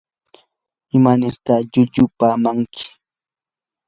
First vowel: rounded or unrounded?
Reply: unrounded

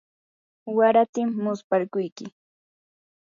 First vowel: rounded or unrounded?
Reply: unrounded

